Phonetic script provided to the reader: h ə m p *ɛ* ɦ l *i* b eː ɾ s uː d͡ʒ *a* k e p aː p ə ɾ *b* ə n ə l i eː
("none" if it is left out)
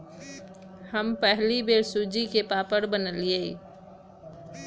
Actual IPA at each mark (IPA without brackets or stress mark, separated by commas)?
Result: ɛ, i, i, b